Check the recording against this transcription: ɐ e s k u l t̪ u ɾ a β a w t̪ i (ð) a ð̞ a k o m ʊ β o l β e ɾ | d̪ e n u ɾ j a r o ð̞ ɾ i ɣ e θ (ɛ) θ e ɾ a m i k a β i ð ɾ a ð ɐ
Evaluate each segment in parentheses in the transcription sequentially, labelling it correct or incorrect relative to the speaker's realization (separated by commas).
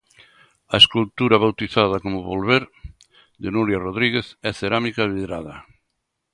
incorrect, correct